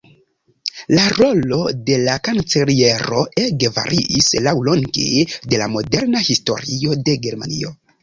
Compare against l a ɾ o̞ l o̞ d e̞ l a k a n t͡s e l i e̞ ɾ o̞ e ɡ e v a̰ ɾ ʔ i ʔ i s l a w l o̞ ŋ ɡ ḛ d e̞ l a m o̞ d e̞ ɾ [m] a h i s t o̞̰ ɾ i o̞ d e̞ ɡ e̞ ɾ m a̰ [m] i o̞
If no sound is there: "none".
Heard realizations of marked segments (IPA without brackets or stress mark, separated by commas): n, n